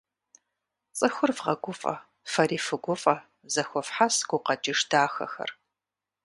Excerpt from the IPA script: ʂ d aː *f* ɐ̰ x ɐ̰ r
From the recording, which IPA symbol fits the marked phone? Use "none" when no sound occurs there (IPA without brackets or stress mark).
x